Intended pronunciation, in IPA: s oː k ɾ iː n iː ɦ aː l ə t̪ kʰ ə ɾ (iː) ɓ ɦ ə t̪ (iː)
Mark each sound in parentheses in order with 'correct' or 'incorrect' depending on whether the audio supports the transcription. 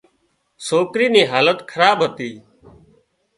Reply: incorrect: aː, correct

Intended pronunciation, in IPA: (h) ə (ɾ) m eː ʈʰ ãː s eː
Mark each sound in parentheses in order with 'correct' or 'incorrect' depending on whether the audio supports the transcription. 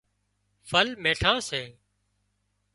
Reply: incorrect: f, incorrect: l

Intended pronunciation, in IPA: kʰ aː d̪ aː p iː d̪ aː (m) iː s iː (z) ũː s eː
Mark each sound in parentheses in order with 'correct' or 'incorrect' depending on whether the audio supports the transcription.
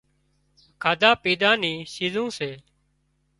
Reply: incorrect: n, correct

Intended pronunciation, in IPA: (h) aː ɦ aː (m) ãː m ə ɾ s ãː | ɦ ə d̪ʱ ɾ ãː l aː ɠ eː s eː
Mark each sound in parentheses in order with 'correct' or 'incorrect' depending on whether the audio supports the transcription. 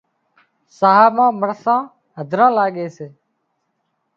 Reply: incorrect: s, correct

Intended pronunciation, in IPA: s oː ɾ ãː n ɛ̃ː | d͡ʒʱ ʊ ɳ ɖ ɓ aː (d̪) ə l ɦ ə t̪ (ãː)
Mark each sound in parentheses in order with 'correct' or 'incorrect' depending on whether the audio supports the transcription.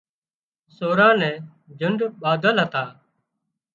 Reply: correct, incorrect: aː

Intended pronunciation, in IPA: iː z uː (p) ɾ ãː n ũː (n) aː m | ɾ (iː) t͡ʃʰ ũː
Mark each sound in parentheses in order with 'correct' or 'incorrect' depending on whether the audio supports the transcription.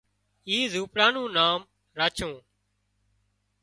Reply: correct, correct, incorrect: aː

